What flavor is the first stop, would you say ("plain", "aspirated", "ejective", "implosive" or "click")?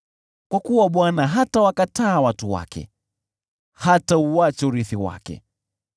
plain